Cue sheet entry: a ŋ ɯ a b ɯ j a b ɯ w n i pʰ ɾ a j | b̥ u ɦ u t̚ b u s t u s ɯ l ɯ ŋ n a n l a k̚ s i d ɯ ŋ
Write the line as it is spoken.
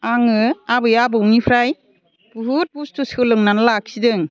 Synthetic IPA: a ŋ ɯ a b ɯ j a b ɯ w n i pʰ ɾ a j | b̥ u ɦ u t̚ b u s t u s ɯ l ɯ ŋ n a n l a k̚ s i d ɯ ŋ